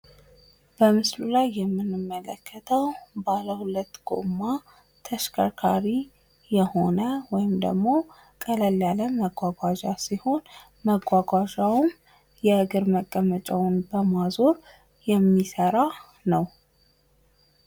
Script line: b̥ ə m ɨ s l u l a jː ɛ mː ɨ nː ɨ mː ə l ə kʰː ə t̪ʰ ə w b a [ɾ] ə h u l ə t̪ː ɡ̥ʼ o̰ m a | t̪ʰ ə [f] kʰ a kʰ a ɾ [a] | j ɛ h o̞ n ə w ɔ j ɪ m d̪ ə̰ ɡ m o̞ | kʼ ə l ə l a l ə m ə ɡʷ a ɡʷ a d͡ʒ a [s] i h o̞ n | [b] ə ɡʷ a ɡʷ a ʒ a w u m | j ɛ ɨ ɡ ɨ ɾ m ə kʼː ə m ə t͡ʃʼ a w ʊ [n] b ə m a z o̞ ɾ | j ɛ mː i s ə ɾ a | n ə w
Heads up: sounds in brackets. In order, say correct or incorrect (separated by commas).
incorrect, incorrect, incorrect, correct, incorrect, correct